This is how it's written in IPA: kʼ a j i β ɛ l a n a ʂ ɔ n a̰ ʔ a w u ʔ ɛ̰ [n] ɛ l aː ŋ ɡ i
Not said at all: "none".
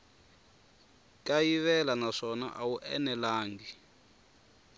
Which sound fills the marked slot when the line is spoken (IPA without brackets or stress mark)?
n